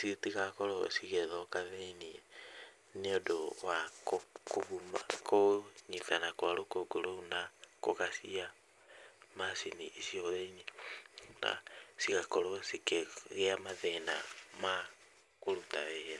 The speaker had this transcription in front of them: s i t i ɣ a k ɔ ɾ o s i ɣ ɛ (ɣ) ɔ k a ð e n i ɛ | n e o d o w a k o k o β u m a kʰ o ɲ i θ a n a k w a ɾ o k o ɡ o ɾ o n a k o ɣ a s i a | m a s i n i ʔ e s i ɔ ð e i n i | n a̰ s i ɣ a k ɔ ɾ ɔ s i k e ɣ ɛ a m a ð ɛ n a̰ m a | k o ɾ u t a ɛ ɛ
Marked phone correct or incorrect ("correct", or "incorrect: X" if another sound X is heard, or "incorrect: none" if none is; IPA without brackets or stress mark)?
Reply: incorrect: ð